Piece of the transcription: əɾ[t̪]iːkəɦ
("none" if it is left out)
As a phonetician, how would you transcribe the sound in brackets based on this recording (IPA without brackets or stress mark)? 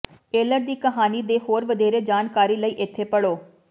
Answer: d̪